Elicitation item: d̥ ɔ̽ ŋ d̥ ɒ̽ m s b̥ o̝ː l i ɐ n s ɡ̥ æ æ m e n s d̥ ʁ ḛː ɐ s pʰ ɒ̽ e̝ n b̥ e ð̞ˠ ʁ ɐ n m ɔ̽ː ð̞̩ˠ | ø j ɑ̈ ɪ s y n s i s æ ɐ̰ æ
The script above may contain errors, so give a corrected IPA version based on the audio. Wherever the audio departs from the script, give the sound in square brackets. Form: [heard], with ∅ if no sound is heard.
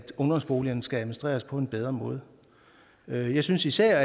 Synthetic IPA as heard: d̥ ɔ̽ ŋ d̥ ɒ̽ m s b̥ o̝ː l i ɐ n s ɡ̥ æ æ m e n s d̥ ʁ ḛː ɐ s pʰ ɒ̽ e̝ n b̥ e ð̞ˠ ʁ ɐ [∅] m ɔ̽ː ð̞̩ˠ | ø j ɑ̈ ɪ s y n s i s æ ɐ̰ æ